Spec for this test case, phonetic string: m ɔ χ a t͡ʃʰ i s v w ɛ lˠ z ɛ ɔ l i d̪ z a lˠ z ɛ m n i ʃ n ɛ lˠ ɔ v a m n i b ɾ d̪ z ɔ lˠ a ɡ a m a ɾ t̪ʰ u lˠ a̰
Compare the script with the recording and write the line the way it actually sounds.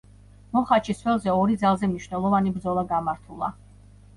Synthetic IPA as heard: m ɔ χ a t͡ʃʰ i s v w ɛ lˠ z ɛ ɔ ɾ i d̪ z a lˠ z ɛ m n i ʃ n ɛ lˠ ɔ v a n i b ɾ d̪ z ɔ lˠ a ɡ a m a ɾ t̪ʰ u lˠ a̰